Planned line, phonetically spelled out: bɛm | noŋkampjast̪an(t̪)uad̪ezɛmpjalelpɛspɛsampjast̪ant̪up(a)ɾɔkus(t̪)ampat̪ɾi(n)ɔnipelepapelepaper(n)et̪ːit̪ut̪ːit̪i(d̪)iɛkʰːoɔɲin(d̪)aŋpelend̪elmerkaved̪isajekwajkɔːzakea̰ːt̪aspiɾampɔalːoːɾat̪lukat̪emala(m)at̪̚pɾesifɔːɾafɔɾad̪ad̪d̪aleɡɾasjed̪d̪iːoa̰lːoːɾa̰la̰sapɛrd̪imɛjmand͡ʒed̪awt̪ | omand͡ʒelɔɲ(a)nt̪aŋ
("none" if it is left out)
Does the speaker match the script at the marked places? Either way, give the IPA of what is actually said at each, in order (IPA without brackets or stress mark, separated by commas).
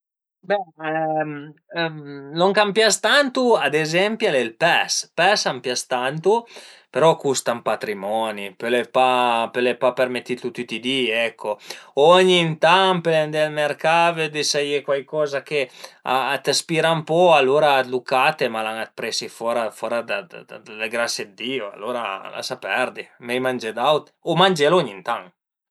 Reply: t̪, e, t̪, m, m, d̪, t̪, ŋ, i